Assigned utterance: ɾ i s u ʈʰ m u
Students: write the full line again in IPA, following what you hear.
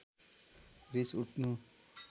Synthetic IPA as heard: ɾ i s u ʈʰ n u